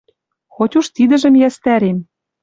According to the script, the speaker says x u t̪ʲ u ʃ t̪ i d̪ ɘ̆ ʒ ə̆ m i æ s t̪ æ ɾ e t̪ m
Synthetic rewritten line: x o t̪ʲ u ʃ t̪ i d̪ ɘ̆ ʒ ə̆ m j æ s t̪ æ ɾ e m